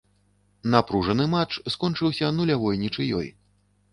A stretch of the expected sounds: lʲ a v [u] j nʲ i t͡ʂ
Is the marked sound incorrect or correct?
incorrect